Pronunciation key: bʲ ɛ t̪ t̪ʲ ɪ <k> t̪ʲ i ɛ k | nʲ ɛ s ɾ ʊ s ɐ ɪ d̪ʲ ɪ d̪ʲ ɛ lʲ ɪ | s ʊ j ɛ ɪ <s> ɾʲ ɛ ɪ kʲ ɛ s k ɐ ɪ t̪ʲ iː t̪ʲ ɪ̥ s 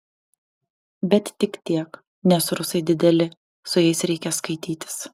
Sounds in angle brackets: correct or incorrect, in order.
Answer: correct, correct

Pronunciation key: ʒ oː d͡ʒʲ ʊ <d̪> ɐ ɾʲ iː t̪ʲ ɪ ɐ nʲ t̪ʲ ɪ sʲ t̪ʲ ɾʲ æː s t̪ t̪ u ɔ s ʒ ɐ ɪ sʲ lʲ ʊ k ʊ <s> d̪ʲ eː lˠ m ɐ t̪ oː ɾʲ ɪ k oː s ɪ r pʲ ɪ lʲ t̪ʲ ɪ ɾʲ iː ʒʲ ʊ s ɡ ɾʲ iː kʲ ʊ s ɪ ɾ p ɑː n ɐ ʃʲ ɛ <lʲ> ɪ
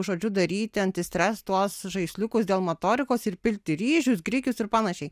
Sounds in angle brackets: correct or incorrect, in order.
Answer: correct, correct, incorrect

